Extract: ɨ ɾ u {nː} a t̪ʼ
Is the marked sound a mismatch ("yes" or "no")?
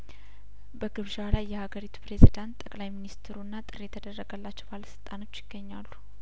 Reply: no